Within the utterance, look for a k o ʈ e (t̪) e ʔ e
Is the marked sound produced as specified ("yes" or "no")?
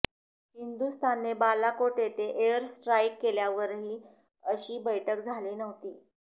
yes